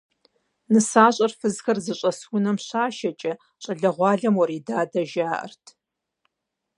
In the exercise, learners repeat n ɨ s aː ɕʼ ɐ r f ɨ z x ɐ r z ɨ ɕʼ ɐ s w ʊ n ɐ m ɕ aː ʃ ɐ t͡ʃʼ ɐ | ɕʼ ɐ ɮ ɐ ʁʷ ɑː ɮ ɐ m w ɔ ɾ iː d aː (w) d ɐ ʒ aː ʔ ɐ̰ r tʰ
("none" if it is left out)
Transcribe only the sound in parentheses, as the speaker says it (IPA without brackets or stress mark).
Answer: none